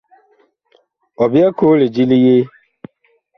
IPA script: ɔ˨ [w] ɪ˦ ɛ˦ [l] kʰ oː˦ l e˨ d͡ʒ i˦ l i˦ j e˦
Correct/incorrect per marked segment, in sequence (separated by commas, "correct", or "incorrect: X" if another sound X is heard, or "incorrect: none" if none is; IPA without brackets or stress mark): incorrect: b, incorrect: none